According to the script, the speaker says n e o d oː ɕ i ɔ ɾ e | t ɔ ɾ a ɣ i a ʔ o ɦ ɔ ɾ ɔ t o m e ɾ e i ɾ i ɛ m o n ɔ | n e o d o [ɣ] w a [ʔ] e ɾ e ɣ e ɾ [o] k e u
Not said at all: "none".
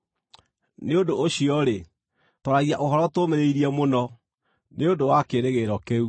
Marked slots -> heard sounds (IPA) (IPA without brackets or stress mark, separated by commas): none, k, ɔ